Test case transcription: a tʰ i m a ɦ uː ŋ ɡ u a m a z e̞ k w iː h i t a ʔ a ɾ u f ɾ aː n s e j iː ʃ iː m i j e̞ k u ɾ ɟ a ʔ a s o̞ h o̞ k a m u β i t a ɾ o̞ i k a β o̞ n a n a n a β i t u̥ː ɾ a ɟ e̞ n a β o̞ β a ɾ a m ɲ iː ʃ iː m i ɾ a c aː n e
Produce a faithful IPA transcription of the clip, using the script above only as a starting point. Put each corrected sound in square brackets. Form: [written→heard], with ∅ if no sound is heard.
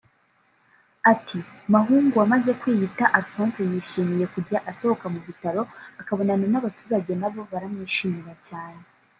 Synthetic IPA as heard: a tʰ i m a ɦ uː ŋ ɡ u a m a z e̞ k w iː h i t a ʔ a ɾ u f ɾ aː n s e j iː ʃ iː m i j e̞ k u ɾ ɟ a ʔ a s o̞ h o̞ k a m u β i t a ɾ o̞ [i→a] k a β o̞ n a n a n a β [i→a] t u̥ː ɾ a ɟ e̞ n a β o̞ β a ɾ a m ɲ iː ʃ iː m i ɾ a c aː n e

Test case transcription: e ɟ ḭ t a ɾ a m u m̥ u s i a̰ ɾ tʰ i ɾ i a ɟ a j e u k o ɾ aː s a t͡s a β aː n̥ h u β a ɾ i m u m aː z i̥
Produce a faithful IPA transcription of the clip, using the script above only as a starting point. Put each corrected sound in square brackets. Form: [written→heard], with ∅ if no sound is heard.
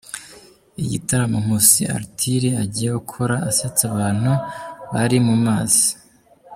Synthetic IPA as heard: [e→i] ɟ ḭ t a ɾ a m u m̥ u s i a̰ ɾ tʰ i ɾ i a ɟ [a→i] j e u [k→kʰ] o ɾ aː s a t͡s a β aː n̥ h u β a ɾ i m u m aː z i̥

